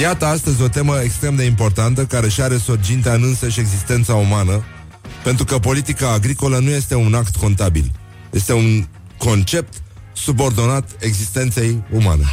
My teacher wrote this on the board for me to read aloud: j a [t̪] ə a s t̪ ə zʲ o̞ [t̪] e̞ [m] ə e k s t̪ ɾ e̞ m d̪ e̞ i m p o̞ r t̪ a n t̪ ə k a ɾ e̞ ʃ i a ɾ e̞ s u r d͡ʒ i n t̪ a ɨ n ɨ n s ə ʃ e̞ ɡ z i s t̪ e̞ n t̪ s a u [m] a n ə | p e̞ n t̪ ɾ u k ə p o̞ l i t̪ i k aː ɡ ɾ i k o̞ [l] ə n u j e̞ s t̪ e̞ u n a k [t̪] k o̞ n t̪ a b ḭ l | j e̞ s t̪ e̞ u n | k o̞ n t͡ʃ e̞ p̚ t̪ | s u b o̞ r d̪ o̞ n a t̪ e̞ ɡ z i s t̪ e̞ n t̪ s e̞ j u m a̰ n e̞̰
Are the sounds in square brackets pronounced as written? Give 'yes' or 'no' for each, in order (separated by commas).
yes, yes, yes, yes, yes, yes